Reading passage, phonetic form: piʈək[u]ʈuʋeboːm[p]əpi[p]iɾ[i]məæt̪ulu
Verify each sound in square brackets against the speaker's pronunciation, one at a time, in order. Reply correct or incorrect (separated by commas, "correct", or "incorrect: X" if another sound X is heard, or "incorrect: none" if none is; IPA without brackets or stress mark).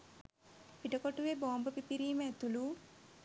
incorrect: o, incorrect: b, correct, incorrect: iː